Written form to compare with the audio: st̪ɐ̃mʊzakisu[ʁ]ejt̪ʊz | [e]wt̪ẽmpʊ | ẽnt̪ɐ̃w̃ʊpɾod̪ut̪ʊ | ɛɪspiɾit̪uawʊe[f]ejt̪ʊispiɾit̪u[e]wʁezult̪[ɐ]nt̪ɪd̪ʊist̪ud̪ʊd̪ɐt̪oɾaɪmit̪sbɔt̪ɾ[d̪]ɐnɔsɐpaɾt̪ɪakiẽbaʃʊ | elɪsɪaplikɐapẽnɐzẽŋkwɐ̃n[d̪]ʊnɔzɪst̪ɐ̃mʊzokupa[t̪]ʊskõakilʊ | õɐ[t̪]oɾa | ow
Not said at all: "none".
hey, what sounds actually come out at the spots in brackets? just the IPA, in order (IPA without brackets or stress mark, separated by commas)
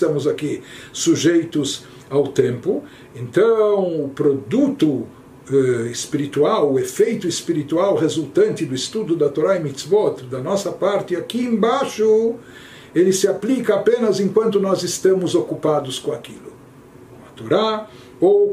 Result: ʒ, a, f, a, ɐ̃, d̪, t̪, d̪, t̪